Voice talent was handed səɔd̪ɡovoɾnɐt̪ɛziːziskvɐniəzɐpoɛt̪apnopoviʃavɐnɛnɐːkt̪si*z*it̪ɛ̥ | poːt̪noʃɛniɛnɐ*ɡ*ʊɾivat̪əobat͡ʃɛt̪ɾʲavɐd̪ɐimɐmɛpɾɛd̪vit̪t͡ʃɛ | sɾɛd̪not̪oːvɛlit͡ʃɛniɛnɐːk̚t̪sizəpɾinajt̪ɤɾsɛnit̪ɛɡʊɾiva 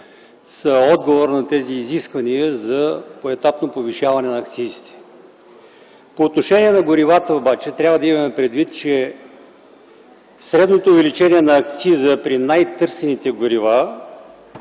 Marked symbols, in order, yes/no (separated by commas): yes, yes